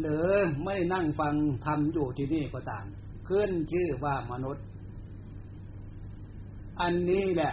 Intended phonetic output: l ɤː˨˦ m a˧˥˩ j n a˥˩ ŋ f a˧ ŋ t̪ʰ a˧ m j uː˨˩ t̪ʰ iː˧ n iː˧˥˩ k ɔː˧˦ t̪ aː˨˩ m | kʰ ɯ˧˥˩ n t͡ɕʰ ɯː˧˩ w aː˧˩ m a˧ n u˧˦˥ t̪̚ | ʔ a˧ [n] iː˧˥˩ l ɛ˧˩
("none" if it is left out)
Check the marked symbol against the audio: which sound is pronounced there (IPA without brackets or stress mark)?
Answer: nː